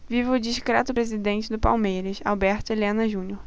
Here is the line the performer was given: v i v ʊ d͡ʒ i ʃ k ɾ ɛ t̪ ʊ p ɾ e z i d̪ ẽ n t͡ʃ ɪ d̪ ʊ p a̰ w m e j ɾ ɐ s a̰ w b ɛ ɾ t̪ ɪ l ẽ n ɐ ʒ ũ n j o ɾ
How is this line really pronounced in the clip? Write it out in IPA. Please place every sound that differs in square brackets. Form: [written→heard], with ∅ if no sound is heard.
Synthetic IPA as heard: v i v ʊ d͡ʒ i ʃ k ɾ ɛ t̪ ʊ p ɾ e z i d̪ ẽ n t͡ʃ ɪ d̪ ʊ p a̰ w m e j ɾ ɐ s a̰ w b ɛ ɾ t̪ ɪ l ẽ n ɐ ʒ ũ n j o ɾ